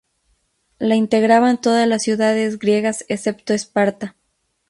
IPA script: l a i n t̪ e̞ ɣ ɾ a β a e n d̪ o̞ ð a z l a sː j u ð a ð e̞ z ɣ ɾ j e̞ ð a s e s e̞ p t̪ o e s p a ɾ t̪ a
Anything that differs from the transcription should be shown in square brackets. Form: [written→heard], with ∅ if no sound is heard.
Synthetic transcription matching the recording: l a i n t̪ e̞ ɣ ɾ a β a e n [d̪→t̪] o̞ ð a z l a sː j u ð a ð e̞ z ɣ ɾ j e̞ [ð→ɣ] a s e s e̞ p t̪ o e s p a ɾ t̪ a